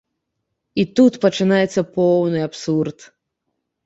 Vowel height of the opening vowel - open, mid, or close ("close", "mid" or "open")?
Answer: close